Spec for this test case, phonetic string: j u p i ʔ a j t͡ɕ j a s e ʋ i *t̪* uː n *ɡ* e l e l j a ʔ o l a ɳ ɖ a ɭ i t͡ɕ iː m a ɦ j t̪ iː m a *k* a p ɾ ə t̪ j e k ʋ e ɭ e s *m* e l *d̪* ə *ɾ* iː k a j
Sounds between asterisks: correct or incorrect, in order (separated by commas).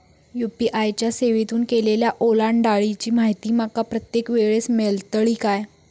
correct, incorrect, correct, correct, incorrect, incorrect